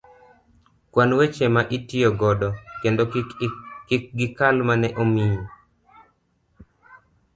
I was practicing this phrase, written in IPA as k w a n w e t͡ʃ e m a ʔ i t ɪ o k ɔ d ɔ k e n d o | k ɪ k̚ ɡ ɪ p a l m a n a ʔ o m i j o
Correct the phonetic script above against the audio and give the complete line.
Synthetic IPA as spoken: k w a n w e t͡ʃ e m a ʔ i t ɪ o ɡ ɔ d ɔ k e n d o | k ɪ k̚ ɡ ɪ k a l m a n ɛ ʔ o m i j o